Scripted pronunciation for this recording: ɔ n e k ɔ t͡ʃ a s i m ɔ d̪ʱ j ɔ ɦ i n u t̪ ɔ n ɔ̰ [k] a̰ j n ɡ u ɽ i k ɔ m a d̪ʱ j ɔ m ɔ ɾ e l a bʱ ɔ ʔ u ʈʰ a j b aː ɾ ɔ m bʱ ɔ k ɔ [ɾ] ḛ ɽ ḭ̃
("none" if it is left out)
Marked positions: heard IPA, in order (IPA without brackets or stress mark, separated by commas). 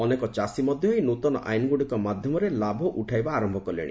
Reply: ʔ, l